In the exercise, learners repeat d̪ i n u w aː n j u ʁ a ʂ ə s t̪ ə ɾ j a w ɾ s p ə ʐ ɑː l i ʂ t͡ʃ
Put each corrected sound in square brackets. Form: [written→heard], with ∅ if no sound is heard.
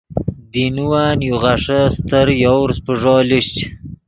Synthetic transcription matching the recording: d̪ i n u w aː n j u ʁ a ʂ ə s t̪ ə ɾ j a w ɾ s p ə ʐ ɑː l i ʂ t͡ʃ